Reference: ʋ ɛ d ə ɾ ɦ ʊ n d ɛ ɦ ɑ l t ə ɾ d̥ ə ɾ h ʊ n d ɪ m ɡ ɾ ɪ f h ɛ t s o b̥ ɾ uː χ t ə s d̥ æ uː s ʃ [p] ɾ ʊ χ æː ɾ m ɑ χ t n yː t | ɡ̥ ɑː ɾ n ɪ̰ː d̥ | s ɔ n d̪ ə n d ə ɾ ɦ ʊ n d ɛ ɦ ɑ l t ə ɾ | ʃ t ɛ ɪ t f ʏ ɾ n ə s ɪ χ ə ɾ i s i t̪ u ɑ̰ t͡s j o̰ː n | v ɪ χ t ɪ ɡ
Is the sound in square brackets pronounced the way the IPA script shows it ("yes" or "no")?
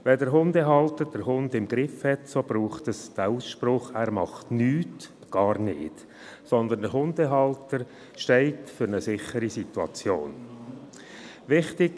yes